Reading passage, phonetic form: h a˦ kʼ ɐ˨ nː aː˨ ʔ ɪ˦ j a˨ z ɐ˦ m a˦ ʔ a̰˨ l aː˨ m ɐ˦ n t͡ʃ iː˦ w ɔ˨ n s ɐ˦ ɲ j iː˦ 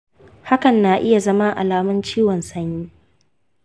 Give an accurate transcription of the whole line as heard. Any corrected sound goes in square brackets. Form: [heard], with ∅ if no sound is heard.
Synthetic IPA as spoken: h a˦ [k] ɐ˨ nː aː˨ ʔ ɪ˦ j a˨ z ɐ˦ m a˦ ʔ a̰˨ l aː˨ m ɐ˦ n t͡ʃ iː˦ w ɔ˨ n s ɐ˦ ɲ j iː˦